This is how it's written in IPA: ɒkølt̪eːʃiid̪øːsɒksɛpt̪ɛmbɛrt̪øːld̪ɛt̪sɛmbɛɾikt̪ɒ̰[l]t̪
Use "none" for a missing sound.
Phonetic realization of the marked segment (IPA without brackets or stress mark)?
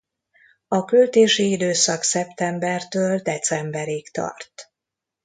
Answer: r